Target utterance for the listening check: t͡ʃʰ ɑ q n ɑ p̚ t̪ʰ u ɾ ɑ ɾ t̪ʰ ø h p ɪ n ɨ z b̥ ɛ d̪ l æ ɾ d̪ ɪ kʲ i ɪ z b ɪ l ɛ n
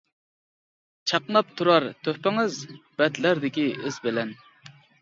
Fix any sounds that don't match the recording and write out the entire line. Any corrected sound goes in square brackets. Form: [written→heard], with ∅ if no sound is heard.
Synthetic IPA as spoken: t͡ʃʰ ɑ q n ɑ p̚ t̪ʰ u ɾ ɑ ɾ t̪ʰ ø h p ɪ [n→ŋ] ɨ z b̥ ɛ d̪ l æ ɾ d̪ ɪ kʲ i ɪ z b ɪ l ɛ n